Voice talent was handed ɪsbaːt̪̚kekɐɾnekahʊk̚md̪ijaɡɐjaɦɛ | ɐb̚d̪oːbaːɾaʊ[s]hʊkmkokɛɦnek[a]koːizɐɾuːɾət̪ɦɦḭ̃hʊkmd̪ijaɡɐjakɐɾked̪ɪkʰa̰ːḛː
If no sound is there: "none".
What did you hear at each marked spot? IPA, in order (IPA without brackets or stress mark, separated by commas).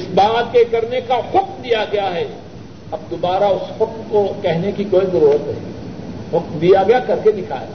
s, i